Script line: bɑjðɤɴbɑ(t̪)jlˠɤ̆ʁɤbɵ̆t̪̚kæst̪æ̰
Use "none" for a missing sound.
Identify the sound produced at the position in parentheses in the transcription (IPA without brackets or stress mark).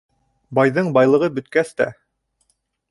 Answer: none